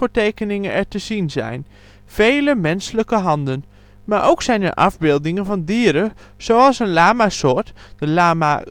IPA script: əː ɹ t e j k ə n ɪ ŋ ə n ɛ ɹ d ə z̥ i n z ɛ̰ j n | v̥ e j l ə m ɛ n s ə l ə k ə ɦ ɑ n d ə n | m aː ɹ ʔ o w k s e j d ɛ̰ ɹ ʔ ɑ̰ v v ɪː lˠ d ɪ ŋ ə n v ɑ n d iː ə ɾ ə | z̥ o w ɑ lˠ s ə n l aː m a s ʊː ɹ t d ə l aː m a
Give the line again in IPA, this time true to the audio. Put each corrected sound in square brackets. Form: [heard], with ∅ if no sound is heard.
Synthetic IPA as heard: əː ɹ t e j k ə n ɪ ŋ ə n ɛ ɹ [t] ə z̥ i n z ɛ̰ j n | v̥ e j l ə m ɛ n s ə l ə k ə ɦ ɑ n d ə n | m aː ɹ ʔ o w k s [ɛ] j [n] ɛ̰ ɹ ʔ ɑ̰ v [b] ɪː lˠ d ɪ ŋ ə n v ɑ n d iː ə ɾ ə | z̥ o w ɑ lˠ s ə n l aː m a s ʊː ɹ t d ə l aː m a